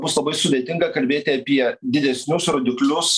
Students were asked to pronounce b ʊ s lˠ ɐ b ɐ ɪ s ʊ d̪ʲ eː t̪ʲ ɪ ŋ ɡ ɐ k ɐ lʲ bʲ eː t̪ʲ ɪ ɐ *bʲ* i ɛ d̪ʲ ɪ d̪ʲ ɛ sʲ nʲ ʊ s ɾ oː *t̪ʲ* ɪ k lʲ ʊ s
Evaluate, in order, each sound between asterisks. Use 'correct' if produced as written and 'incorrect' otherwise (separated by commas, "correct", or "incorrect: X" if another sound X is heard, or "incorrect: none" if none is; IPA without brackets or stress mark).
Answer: incorrect: pʲ, incorrect: d̪ʲ